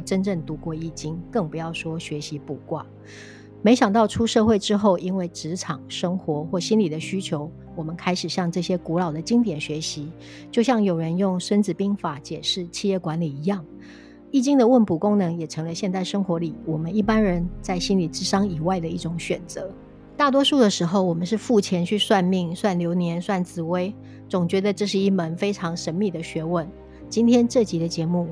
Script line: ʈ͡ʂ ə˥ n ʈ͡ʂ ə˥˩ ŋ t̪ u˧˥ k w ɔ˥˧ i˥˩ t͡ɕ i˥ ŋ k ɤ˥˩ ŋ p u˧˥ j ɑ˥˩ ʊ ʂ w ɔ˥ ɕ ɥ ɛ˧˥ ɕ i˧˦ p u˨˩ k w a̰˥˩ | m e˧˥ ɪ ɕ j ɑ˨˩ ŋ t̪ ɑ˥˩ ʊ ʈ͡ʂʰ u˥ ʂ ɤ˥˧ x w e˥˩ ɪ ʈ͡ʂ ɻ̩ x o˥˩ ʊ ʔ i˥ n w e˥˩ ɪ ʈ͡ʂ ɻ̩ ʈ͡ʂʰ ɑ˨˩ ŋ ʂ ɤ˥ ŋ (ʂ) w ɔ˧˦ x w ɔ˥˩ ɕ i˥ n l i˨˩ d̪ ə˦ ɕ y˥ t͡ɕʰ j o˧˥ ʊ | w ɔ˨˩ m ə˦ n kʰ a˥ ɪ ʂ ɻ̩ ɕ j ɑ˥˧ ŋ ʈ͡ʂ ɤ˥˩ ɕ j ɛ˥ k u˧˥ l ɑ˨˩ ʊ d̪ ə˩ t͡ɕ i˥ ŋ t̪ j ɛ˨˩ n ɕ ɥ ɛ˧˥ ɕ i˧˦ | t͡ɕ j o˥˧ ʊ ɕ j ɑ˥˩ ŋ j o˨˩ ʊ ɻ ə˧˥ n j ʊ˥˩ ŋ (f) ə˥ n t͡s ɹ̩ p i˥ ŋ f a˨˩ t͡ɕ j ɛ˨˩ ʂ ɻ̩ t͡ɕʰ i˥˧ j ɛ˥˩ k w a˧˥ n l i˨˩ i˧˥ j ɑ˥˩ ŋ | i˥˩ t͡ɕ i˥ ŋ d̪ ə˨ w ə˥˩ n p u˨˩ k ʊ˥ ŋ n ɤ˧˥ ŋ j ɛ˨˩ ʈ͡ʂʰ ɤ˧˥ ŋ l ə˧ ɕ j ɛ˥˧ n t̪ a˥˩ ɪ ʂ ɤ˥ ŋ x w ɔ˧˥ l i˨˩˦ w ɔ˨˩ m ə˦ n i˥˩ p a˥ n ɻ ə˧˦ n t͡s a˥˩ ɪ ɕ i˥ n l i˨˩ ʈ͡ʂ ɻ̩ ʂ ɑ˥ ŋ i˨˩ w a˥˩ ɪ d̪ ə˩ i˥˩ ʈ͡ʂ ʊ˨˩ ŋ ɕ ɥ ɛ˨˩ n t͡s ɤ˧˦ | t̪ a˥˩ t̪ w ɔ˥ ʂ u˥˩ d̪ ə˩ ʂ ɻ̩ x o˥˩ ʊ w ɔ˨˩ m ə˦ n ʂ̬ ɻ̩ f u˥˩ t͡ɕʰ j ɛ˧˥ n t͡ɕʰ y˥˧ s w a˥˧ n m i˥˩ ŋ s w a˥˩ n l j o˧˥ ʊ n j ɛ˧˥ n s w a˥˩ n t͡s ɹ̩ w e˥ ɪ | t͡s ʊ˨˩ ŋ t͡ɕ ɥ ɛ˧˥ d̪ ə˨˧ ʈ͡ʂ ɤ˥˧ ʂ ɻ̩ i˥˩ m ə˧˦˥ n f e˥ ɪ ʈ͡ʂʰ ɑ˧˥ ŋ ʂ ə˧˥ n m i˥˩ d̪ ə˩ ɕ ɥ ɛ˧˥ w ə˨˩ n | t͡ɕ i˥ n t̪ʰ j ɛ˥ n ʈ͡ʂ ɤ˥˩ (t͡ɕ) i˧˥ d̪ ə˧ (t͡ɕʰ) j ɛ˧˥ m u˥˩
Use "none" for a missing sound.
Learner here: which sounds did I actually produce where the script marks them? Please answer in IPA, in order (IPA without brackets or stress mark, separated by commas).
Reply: x, ʂ, t͡ɕ, t͡ɕ